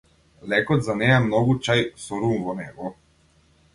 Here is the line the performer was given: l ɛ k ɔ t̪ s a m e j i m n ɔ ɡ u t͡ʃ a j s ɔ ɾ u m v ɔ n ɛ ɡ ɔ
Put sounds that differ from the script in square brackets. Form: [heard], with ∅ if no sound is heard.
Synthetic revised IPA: l ɛ k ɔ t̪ [z] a [n] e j [a] m n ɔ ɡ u t͡ʃ a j s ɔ ɾ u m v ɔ n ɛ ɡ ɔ